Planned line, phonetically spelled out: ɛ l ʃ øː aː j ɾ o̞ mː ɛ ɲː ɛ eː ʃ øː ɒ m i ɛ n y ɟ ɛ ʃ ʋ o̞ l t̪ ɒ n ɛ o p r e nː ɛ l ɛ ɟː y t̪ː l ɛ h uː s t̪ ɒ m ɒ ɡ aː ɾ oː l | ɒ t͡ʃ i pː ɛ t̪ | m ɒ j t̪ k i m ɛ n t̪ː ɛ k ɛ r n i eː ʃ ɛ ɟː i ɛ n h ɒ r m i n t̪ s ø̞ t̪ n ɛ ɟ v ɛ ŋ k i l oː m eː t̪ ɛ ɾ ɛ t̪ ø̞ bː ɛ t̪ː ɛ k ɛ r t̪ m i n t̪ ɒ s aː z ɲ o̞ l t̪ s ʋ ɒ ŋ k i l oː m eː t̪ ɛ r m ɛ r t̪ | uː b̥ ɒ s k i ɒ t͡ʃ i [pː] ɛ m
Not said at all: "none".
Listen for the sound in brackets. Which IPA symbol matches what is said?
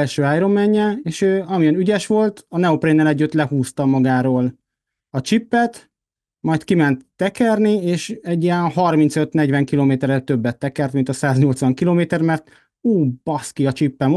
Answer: pː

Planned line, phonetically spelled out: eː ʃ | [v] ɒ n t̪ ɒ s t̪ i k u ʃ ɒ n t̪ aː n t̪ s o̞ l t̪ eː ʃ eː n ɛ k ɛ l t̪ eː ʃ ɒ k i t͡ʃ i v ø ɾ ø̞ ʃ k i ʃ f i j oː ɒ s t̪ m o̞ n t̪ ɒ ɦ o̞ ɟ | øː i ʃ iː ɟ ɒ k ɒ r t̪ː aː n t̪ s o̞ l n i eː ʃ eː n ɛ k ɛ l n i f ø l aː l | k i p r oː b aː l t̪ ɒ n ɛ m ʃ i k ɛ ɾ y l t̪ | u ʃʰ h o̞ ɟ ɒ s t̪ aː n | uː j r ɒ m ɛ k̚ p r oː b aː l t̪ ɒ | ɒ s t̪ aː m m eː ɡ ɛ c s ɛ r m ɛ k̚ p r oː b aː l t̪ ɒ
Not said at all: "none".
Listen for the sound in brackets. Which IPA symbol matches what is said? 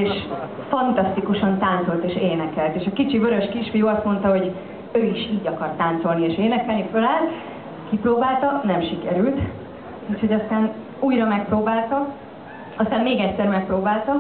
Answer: f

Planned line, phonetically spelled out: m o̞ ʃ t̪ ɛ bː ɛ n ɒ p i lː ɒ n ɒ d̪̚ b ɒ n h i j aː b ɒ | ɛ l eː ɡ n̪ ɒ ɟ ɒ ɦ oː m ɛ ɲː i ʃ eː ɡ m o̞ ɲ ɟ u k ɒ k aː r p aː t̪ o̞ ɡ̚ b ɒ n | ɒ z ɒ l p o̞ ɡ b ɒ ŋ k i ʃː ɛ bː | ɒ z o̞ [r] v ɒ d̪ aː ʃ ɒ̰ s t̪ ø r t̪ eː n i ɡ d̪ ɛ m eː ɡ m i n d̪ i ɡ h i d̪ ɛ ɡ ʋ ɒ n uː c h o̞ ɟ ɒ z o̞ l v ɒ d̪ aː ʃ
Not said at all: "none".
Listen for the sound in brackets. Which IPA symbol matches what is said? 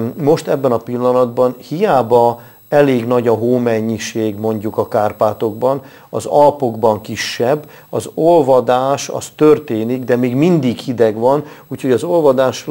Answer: l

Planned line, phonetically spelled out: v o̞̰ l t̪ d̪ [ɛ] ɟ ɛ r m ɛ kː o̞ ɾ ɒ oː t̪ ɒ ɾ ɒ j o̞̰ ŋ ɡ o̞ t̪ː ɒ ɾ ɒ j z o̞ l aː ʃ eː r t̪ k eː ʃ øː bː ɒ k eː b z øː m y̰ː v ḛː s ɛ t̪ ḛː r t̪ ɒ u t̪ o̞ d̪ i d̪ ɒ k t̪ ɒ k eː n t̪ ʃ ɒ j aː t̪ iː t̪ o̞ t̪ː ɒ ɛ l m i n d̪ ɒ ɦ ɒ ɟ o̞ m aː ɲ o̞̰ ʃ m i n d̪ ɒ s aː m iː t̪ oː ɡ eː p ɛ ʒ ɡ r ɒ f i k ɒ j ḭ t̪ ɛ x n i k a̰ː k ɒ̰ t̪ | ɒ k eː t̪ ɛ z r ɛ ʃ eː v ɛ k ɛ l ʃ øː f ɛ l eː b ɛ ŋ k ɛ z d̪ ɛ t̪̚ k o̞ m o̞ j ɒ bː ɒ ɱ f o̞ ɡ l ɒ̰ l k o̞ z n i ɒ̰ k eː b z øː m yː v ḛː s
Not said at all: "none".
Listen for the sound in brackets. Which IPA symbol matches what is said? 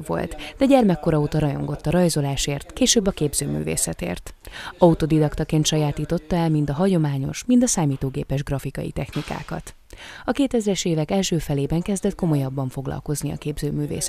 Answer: ɛ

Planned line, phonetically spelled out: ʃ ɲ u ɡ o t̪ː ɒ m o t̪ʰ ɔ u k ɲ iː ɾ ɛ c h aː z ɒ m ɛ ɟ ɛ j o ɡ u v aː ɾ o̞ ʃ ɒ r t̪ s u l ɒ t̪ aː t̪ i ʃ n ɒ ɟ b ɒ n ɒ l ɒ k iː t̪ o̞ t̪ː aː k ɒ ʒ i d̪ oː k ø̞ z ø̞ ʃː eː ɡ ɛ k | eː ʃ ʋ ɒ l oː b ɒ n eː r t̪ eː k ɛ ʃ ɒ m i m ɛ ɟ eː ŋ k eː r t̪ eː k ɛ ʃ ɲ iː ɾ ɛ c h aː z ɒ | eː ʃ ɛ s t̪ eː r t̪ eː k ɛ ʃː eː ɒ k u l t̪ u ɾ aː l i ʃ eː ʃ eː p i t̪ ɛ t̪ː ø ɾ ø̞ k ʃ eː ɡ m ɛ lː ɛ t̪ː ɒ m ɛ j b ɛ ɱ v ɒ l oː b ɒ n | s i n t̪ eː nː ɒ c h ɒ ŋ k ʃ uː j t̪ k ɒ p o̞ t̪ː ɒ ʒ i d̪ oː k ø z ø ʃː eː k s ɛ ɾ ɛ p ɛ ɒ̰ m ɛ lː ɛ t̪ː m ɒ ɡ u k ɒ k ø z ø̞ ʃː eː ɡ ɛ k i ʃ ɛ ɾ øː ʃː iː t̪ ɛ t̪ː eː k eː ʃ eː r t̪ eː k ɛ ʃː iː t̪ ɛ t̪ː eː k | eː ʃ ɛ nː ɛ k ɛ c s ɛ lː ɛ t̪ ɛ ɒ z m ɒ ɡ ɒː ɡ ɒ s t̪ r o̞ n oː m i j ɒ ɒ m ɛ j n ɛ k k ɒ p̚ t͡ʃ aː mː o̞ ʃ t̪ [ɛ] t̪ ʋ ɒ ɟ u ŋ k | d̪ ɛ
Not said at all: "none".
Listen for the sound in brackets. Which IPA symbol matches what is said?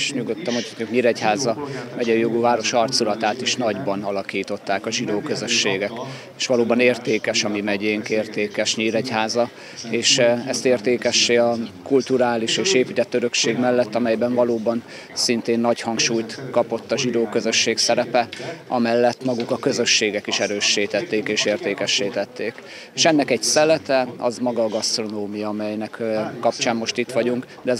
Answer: i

